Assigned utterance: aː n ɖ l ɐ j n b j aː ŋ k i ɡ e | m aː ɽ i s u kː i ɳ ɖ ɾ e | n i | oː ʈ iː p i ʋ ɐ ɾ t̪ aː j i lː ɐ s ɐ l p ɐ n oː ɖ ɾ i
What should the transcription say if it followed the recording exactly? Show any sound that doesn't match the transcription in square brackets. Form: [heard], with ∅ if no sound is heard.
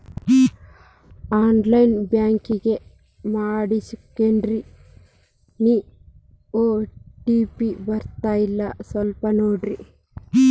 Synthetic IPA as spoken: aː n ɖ l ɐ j n b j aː ŋ k i ɡ e | m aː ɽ i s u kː [e] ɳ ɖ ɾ [i] | n i | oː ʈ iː p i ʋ ɐ ɾ t̪ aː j i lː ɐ s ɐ l p ɐ n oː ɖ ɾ i